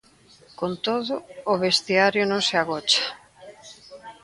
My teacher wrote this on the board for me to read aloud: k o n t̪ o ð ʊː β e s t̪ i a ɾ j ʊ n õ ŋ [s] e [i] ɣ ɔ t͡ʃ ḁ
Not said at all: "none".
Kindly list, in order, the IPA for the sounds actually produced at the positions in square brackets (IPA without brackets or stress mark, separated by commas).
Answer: s, a